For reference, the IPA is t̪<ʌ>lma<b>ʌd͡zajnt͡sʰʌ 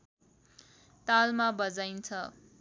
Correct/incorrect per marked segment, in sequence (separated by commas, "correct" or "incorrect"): incorrect, correct